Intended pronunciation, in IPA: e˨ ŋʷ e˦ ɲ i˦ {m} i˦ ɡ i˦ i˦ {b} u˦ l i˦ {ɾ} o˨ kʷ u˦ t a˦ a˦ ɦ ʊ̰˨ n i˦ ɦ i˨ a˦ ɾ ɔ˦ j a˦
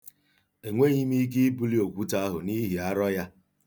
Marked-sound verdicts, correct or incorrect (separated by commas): correct, correct, incorrect